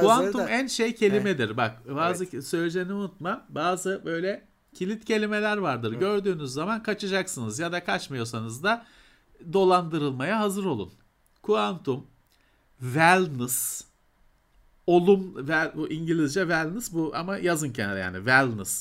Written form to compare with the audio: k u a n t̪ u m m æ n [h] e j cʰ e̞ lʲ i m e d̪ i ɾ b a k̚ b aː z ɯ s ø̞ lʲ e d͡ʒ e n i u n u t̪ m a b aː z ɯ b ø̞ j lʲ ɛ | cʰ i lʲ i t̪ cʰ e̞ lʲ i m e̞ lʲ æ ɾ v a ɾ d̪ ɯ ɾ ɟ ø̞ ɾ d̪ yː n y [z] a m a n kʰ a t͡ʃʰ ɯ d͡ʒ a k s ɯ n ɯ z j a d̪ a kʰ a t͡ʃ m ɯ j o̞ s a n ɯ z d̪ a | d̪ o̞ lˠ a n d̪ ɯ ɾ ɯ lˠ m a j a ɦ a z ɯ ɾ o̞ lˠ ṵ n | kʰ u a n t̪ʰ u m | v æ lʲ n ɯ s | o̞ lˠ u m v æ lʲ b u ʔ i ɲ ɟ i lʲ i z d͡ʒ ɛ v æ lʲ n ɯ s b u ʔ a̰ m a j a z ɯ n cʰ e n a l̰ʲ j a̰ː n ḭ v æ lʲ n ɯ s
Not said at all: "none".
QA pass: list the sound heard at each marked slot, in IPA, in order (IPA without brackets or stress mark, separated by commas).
ʃ, zː